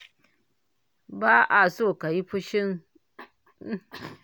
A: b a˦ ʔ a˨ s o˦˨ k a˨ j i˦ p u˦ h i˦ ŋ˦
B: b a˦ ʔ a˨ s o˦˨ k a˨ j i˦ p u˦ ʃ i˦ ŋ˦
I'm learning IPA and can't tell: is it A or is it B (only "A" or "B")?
B